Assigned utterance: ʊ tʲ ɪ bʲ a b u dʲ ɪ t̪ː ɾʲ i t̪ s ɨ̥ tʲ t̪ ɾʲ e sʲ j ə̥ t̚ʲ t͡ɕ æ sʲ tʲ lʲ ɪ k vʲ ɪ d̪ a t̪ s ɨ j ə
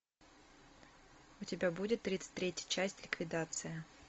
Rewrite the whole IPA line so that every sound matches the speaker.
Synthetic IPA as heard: ʊ tʲ ɪ bʲ a b u dʲ ɪ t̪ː ɾʲ i t̪ s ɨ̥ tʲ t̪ ɾʲ e tʲ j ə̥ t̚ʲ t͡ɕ æ sʲ tʲ lʲ ɪ k vʲ ɪ d̪ a t̪ s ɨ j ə